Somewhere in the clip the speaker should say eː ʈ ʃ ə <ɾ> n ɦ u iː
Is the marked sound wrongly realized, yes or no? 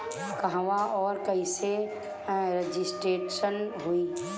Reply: yes